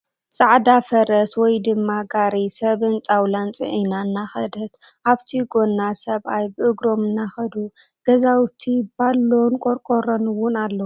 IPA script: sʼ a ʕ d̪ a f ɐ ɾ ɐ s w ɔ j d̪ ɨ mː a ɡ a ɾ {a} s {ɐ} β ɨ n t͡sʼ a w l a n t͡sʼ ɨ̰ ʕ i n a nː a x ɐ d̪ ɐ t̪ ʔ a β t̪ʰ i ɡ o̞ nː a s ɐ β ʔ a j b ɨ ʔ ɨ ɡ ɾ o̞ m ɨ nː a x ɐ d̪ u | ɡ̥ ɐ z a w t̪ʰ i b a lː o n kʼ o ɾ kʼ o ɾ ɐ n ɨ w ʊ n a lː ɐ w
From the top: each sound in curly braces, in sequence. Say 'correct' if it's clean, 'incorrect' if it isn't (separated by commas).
incorrect, correct